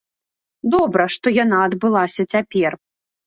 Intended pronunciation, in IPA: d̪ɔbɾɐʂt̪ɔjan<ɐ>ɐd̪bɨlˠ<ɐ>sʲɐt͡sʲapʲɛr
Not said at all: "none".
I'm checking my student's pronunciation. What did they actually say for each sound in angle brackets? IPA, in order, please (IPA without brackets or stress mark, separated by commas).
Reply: a, a